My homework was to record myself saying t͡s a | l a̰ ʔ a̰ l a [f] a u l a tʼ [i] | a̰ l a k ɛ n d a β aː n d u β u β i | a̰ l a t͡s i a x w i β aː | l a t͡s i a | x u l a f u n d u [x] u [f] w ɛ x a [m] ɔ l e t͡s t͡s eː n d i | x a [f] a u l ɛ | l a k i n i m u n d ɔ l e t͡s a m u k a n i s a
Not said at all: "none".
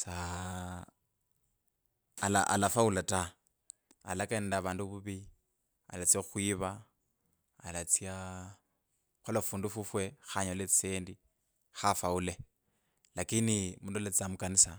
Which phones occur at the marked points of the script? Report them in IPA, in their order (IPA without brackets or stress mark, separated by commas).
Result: f, a, f, f, ɲ, f